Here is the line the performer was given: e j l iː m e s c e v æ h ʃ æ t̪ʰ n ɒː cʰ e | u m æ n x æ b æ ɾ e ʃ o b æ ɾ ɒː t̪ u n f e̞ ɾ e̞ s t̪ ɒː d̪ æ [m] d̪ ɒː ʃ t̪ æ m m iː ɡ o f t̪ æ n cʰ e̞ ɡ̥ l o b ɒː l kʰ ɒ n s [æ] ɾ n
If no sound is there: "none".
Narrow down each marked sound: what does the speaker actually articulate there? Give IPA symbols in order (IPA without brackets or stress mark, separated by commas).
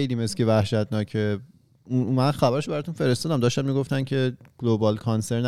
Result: m, e